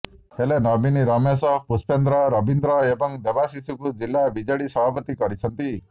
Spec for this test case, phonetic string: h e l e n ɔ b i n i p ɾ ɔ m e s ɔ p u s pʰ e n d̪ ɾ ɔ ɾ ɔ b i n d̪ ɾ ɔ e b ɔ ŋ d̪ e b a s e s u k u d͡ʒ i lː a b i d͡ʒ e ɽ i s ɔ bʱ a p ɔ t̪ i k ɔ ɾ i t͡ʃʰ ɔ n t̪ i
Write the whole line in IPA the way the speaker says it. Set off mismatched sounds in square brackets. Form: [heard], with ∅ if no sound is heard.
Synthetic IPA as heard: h e l e n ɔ b i n i [∅] ɾ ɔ m e s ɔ p u s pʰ e n d̪ ɾ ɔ ɾ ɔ b i n d̪ ɾ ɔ e b ɔ ŋ d̪ e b a s [i] s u k u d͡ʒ i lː a b i d͡ʒ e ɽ i s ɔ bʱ a p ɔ t̪ i k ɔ ɾ i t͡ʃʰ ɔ n t̪ i